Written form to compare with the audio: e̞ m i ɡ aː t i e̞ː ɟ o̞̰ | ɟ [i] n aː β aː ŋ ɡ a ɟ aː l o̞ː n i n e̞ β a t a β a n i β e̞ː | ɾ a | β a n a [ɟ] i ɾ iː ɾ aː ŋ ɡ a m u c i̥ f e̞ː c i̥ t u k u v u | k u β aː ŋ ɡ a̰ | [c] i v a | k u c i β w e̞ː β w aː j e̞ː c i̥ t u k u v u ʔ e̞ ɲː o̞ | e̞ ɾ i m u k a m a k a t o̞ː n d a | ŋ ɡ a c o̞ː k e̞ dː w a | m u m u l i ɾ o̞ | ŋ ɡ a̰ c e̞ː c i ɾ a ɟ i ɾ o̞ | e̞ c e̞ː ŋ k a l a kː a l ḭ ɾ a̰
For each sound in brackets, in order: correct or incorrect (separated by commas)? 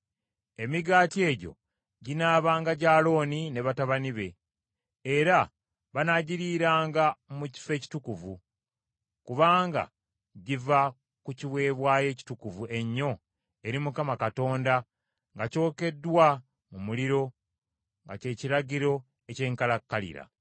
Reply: correct, correct, incorrect